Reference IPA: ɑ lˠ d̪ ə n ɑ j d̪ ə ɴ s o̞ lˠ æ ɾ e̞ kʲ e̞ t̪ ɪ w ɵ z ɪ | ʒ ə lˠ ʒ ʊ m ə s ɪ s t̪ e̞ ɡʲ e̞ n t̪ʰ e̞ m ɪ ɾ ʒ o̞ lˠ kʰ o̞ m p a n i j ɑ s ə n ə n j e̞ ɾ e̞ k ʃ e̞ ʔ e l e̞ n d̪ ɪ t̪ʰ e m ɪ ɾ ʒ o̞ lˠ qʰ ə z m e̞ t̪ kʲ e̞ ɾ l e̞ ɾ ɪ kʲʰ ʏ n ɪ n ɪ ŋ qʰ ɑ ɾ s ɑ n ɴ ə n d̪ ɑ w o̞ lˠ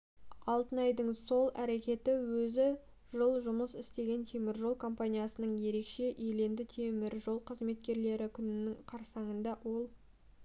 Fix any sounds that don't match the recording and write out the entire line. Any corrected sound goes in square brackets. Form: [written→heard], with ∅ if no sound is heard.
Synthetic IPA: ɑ lˠ [d̪→t̪] ə n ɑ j d̪ ə ɴ s o̞ lˠ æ ɾ e̞ kʲ e̞ t̪ ɪ w ɵ z ɪ | ʒ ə lˠ ʒ ʊ m ə s ɪ s t̪ e̞ ɡʲ e̞ n t̪ʰ e̞ m ɪ ɾ ʒ o̞ lˠ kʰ o̞ m p a n i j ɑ s ə n ə [n→ɴ] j e̞ ɾ e̞ k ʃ e̞ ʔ e l e̞ n d̪ ɪ t̪ʰ e m ɪ ɾ ʒ o̞ lˠ qʰ ə z m e̞ t̪ kʲ e̞ ɾ l e̞ ɾ ɪ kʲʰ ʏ n ɪ n ɪ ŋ qʰ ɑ ɾ s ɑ [n→∅] ɴ ə n d̪ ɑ w o̞ lˠ